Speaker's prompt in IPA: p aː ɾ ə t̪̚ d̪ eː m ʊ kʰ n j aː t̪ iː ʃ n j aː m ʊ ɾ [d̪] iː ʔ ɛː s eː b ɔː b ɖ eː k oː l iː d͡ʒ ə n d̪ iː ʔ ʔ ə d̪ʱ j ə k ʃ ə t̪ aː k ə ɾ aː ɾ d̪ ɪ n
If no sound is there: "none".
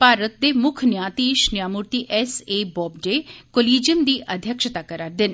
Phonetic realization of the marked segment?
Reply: t̪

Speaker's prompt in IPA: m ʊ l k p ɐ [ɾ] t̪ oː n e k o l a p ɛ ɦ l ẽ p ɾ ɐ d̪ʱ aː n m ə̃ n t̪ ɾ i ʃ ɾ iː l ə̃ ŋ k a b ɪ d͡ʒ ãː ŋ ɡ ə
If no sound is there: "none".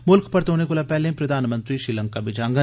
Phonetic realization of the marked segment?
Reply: ɾ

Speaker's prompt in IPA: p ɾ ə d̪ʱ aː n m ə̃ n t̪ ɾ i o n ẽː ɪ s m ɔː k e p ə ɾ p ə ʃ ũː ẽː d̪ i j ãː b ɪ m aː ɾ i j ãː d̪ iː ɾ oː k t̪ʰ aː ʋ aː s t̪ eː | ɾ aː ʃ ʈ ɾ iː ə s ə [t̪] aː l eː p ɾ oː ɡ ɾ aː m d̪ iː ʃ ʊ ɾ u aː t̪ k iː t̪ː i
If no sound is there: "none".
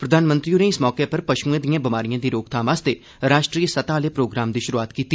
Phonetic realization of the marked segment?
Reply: t̪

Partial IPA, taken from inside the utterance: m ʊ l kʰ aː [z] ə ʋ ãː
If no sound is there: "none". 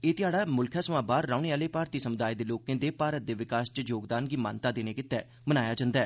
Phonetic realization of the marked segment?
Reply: s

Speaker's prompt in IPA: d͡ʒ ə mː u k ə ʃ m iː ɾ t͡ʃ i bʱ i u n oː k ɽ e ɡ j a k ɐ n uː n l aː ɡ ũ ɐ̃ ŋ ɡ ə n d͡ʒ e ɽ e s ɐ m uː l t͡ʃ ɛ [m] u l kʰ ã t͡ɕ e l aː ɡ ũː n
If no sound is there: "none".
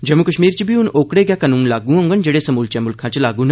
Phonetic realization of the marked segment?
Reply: m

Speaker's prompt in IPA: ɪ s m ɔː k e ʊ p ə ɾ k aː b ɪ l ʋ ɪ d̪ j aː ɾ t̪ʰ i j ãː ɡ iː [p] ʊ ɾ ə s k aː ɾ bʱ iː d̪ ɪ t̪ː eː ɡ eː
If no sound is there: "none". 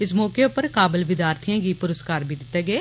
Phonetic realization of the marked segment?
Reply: p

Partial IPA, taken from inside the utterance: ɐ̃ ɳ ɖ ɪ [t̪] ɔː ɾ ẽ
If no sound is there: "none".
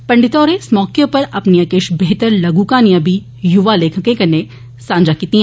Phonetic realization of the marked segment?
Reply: t̪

